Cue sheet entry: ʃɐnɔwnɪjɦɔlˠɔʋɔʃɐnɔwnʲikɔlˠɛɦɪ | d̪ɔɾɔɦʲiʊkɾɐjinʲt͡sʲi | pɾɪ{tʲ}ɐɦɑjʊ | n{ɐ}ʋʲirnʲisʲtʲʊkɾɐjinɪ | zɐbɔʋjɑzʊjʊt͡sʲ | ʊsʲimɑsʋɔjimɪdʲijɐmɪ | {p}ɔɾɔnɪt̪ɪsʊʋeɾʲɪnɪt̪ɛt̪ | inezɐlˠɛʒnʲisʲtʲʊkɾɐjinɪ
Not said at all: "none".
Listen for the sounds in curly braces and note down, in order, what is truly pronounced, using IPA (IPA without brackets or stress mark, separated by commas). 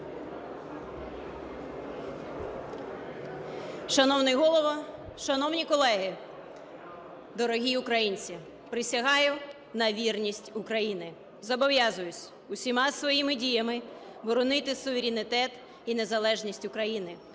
sʲ, ɐ, b